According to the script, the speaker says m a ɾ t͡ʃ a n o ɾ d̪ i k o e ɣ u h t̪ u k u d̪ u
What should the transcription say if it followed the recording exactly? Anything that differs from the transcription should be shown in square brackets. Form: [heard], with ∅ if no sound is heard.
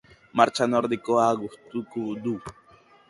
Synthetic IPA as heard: m a ɾ t͡ʃ a n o ɾ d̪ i k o [a] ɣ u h t̪ u k u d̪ u